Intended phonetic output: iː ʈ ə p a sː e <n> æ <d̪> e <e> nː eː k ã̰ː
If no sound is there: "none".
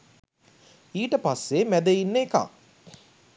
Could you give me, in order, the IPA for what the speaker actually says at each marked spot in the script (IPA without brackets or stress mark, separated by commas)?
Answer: m, d̪, i